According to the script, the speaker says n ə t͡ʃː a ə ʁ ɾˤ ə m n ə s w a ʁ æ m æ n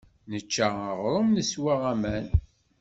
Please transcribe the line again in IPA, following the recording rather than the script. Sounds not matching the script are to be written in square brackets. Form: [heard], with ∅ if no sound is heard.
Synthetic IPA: n ə t͡ʃː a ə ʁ ɾˤ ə m n ə s w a ʁ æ m æ n